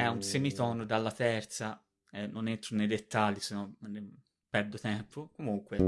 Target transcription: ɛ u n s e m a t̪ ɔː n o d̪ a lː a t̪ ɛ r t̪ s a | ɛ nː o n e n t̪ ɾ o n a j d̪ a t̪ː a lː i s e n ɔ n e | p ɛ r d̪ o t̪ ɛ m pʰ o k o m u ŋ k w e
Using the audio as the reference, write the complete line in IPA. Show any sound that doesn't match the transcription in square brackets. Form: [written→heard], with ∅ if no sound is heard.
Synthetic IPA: ɛ u n s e m [a→i] t̪ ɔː n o d̪ a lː a t̪ ɛ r t̪ s a | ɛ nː o n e n t̪ ɾ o n [a→e] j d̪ [a→e] t̪ː a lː i s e n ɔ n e | p ɛ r d̪ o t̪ ɛ m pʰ o k o m u ŋ k w e